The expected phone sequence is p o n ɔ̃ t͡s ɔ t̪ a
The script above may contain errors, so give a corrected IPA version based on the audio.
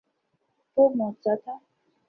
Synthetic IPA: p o m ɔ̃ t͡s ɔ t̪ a